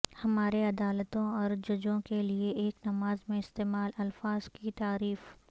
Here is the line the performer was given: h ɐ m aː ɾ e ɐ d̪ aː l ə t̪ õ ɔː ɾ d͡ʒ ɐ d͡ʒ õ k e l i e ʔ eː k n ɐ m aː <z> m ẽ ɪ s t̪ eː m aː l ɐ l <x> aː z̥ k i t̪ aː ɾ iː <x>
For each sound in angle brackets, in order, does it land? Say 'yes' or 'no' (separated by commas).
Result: yes, no, no